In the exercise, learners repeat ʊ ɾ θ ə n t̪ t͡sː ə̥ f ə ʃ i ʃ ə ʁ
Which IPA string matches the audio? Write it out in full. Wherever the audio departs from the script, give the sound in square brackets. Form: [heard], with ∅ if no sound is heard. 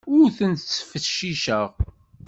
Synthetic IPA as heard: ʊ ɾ θ ə n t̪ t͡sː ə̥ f ə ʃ i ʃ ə ʁ